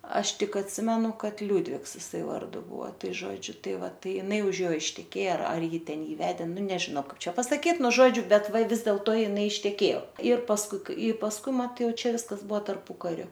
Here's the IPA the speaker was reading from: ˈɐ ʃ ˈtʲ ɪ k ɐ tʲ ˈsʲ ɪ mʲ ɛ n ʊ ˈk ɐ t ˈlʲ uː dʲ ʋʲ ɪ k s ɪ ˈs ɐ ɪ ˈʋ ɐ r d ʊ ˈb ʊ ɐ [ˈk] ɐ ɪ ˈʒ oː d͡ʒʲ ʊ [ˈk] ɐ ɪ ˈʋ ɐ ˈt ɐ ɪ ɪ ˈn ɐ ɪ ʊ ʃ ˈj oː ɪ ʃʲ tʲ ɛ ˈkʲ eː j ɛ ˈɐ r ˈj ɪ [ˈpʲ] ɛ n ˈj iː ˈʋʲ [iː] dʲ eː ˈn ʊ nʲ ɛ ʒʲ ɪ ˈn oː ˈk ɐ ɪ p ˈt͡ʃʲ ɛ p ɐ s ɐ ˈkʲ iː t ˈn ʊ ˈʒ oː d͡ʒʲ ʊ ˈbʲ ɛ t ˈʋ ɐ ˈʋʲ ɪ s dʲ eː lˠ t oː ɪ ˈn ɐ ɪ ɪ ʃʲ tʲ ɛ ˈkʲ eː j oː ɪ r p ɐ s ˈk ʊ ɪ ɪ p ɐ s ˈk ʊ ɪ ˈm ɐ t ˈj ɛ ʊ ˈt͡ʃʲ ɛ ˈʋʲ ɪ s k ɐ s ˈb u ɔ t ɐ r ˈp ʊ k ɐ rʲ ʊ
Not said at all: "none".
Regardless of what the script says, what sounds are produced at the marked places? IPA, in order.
t, t, tʲ, æː

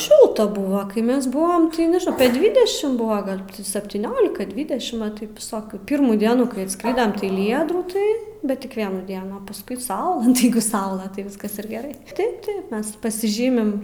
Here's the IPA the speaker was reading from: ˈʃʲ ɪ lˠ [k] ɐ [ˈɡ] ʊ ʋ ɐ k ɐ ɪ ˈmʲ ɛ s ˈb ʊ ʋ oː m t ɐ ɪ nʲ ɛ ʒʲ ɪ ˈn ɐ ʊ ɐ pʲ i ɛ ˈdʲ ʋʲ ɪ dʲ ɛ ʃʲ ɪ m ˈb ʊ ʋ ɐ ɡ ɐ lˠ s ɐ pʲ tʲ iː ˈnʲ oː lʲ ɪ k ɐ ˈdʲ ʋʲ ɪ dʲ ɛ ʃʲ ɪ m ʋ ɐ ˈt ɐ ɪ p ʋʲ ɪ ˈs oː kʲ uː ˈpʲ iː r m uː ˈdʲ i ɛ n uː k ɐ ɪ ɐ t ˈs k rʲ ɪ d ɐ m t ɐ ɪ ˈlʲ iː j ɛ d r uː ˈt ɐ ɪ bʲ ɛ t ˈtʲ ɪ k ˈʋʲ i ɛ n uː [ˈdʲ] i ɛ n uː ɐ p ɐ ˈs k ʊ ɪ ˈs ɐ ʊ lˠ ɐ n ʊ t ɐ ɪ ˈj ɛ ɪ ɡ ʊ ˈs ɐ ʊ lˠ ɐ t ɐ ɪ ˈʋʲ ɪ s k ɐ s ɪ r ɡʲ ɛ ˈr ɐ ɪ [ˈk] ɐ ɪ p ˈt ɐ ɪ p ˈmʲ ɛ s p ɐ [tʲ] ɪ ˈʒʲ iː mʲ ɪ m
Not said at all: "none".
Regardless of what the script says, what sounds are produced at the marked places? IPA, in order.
t, b, dʲ, t, sʲ

